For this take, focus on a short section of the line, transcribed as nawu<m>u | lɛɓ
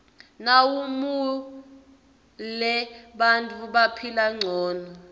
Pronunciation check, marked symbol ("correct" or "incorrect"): correct